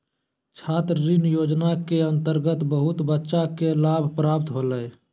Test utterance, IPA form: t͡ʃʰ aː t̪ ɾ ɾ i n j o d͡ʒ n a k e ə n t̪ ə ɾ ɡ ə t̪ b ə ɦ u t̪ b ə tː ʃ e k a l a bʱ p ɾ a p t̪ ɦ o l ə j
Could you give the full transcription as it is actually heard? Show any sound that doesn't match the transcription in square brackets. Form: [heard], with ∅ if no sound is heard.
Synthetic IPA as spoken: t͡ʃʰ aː t̪ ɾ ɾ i n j o d͡ʒ n a k e ə n t̪ ə ɾ ɡ ə t̪ b ə ɦ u t̪ b ə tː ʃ [a] k [e] l a bʱ p ɾ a p t̪ ɦ o l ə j